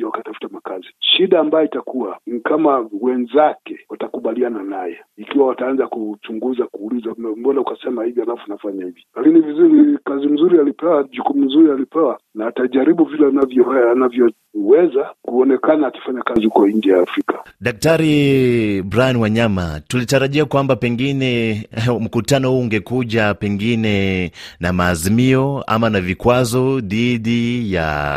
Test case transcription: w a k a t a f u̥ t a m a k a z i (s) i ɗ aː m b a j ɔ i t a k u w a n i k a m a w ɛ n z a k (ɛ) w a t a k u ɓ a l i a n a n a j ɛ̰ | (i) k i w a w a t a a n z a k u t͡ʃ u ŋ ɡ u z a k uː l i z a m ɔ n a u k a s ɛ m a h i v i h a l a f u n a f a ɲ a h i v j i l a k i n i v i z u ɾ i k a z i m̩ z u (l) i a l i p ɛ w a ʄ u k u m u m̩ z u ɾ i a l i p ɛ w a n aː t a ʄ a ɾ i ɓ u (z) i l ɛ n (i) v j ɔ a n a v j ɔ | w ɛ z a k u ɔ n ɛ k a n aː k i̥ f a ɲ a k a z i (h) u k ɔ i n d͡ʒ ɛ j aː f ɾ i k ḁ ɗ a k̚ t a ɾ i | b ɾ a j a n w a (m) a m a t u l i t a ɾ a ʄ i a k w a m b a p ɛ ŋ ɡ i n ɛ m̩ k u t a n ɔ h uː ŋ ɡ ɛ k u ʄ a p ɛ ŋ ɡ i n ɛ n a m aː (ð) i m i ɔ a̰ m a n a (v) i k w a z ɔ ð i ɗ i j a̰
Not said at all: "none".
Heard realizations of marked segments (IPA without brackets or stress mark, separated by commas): ʃ, ɛ, i, ɾ, v, a, h, ɲ, z, v